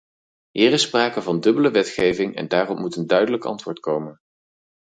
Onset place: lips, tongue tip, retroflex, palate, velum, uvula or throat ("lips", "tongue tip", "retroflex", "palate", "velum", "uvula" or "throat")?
throat